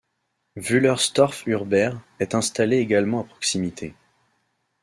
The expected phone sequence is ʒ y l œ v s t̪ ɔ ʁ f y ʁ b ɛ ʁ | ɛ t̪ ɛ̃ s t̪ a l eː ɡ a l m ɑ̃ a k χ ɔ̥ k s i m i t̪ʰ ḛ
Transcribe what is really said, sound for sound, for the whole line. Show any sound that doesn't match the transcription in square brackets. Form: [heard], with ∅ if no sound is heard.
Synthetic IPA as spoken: [v] y l œ [ʁ] s t̪ ɔ ʁ f y ʁ b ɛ ʁ | ɛ t̪ ɛ̃ s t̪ a l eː ɡ a l m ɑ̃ a [p] χ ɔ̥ k s i m i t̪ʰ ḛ